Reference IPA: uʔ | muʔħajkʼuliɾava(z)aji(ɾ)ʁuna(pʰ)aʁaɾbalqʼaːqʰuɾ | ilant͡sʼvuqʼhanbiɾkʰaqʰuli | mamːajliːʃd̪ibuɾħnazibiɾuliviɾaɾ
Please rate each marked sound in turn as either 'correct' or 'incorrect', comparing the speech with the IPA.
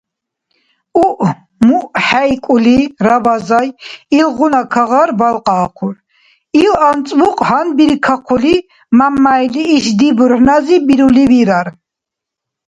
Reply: correct, incorrect: l, incorrect: kʰ

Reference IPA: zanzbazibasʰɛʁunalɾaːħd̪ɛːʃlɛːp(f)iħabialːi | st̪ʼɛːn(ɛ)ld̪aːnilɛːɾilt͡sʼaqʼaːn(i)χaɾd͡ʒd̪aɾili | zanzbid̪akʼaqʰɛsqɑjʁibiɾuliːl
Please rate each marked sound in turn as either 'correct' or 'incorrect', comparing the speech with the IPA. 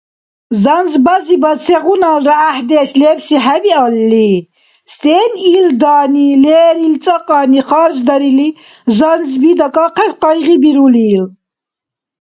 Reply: incorrect: s, incorrect: i, correct

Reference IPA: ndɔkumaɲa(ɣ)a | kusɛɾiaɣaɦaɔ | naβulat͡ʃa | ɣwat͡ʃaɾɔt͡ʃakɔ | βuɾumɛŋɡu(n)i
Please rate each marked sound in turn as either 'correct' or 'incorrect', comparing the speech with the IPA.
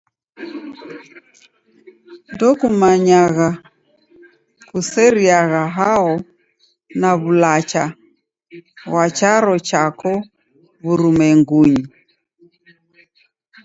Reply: correct, incorrect: ɲ

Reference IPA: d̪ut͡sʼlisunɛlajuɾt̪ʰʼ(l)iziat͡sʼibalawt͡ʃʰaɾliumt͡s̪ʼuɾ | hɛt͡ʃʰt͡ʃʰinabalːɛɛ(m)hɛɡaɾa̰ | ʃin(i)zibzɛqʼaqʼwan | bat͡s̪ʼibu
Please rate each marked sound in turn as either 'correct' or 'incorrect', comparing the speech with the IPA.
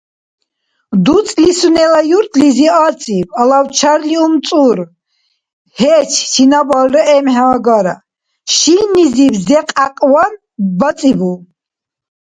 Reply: correct, correct, correct

